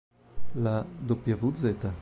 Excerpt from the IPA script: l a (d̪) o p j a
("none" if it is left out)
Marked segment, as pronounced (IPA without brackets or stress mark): d̪